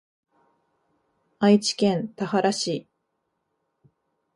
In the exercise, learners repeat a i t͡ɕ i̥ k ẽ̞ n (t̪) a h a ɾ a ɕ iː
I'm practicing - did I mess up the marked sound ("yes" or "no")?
no